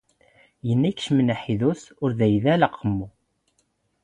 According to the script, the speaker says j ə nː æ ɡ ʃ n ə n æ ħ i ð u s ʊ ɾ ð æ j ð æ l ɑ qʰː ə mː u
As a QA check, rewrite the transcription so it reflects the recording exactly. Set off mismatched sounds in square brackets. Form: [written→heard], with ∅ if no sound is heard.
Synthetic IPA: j ə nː æ [ɡ→k] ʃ [n→m] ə n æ ħ i ð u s ʊ ɾ ð æ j ð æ l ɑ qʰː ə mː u